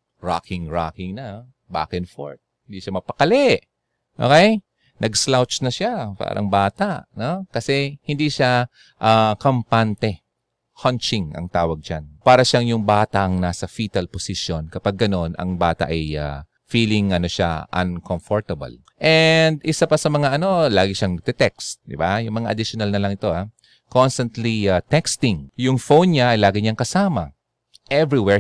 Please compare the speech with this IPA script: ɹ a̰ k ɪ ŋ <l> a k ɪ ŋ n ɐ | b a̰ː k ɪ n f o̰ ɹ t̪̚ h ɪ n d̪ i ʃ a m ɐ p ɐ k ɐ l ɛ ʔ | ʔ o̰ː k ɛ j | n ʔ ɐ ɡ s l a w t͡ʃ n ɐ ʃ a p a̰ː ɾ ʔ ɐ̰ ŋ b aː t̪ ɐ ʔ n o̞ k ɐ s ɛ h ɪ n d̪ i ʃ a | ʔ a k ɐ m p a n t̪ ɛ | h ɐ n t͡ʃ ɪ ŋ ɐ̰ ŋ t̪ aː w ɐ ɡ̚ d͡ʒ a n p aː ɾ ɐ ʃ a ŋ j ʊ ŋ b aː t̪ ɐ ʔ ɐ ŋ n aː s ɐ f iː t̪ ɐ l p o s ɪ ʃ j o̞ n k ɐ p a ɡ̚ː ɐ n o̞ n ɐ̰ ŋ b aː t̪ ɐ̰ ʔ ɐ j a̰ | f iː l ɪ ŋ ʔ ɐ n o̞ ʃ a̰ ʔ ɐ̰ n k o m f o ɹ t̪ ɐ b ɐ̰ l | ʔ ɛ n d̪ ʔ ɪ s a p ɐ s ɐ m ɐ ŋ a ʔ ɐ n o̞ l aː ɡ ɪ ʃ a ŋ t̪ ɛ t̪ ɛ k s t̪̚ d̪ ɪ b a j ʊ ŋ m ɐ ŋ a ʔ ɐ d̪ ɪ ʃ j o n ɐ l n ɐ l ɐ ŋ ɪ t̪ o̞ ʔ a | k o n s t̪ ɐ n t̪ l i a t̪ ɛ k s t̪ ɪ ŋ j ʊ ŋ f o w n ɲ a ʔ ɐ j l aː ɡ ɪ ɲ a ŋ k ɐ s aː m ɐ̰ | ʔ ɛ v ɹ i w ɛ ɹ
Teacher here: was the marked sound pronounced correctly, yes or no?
no